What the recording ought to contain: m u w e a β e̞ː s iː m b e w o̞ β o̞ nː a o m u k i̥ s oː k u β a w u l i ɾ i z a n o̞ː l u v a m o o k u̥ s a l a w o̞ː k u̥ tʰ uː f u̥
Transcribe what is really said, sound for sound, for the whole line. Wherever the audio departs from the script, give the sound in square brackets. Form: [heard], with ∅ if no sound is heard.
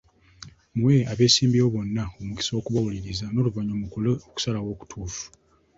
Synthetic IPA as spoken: m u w e a β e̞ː s iː m b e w o̞ β o̞ nː a o m u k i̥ s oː k u β a w u l i ɾ i z a n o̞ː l u v a [ɲ] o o k u̥ s a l a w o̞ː k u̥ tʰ uː f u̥